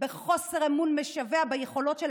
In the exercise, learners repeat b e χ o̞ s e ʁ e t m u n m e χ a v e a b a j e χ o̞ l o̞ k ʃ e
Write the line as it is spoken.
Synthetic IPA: b e χ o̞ s e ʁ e m u n m e ʃ a v e a b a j e χ o̞ l o̞ t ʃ e